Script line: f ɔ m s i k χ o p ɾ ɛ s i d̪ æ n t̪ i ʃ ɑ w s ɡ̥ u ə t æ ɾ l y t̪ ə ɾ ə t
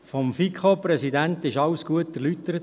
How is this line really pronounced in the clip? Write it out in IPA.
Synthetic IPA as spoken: f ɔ m f i k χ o p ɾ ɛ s i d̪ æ n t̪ ɪ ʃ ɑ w s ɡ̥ u ə t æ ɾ l y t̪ ə ɾ ə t